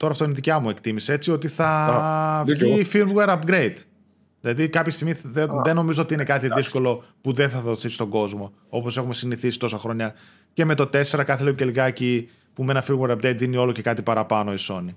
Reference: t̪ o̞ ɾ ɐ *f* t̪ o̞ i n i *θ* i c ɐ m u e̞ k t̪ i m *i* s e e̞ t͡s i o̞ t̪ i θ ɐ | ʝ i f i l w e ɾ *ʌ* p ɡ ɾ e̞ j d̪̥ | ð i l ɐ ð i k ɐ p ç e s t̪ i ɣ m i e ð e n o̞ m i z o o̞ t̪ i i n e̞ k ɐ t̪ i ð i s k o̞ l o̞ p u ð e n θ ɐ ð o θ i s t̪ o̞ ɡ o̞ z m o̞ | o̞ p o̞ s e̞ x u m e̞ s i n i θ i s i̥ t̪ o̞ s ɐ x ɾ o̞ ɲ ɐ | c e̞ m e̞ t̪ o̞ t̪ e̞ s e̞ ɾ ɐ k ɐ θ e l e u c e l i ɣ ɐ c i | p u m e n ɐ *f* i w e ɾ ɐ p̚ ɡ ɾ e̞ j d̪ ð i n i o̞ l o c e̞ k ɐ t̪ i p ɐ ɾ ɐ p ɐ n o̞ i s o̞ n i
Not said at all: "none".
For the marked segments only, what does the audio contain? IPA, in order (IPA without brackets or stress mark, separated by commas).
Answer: f, ð, i, ɐ, f